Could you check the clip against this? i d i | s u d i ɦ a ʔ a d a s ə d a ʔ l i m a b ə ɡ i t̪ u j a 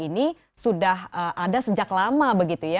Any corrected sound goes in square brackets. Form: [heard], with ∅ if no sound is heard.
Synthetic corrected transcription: i [n] i | s u d [a] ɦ [ə] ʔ a d a s ə [d͡ʒ] a [k] l [a] m a b ə ɡ i t̪ u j a